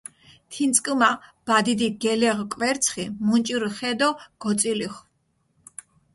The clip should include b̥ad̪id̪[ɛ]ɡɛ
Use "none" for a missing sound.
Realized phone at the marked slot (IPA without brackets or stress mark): i